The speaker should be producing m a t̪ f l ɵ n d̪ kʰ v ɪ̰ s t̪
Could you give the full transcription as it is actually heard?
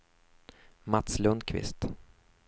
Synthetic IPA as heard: m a t̪ s l ɵ n d̪ kʰ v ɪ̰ s t̪